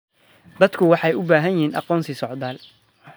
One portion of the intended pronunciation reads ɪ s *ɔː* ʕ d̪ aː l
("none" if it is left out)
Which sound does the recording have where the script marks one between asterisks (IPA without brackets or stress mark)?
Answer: ɔ